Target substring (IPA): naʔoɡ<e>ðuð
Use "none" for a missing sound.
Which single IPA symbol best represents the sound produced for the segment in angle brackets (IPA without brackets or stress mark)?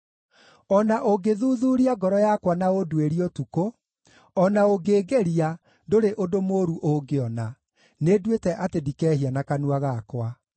e